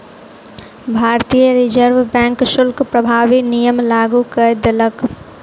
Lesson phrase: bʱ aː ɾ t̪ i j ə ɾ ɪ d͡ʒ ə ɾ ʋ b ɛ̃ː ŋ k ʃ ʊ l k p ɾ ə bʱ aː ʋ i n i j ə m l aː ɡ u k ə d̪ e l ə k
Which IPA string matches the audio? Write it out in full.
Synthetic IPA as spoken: bʱ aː ɾ t̪ i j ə ɾ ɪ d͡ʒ ə ɾ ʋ b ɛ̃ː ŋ k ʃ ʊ l k p ɾ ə bʱ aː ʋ i n i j ə m l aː ɡ u k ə d̪ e l ə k